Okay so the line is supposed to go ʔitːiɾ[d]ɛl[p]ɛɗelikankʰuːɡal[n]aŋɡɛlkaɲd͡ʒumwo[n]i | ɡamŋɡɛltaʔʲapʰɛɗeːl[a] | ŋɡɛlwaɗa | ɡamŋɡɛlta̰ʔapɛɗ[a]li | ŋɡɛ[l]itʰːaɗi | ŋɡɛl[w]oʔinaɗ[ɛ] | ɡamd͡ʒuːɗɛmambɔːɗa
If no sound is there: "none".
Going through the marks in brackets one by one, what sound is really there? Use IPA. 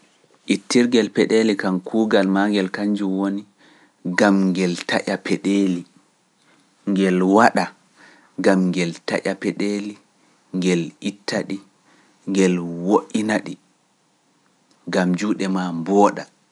ɡ, p, m, n, i, e, l, w, i

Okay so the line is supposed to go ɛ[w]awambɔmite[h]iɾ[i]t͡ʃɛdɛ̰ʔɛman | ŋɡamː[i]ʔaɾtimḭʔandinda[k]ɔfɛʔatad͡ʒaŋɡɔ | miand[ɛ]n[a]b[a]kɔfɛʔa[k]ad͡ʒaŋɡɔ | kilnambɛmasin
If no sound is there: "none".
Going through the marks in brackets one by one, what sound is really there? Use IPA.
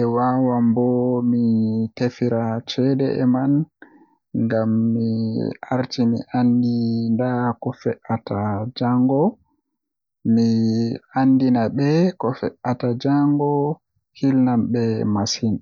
w, f, a, i, k, i, a, ɛ, t

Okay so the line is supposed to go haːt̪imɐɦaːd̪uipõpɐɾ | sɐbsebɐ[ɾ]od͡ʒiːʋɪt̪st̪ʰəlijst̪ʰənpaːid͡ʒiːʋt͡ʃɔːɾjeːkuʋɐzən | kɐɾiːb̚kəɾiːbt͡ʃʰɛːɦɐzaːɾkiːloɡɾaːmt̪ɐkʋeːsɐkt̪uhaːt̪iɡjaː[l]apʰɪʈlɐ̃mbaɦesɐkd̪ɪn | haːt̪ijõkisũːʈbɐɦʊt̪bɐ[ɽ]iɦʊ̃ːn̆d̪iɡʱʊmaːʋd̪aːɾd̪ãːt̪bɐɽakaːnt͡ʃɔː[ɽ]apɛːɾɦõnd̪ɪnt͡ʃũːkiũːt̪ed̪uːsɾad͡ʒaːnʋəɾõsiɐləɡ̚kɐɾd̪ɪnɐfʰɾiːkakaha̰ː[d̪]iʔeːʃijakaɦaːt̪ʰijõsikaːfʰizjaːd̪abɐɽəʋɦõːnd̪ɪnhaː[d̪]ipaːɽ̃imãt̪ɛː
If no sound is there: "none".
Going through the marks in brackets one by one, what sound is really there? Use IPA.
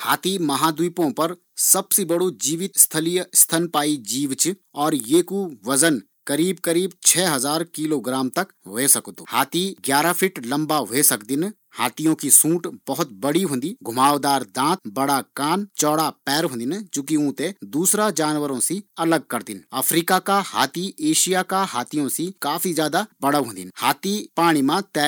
ɽ, ɾ, ɽ, ɽ, t̪, t̪

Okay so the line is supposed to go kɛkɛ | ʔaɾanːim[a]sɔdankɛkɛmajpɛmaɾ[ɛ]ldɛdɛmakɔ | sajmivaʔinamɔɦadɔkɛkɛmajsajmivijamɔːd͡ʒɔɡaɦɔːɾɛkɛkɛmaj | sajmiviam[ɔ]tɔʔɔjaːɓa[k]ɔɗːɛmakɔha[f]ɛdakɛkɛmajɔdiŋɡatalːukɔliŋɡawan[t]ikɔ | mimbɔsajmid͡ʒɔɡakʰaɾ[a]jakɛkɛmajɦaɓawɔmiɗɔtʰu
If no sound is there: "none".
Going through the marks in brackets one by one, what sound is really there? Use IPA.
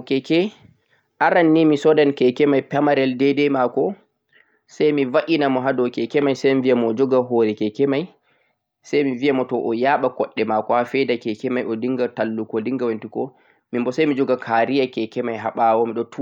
i, ɛ, ɔ, k, f, t, i

